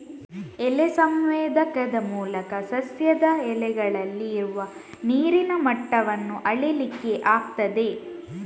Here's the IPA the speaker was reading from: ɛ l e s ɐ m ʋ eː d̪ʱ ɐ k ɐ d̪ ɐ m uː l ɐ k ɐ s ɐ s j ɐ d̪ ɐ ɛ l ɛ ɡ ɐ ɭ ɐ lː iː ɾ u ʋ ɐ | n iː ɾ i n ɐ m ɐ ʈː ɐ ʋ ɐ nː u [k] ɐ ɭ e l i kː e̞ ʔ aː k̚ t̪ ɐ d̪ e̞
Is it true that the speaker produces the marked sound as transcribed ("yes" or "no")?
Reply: no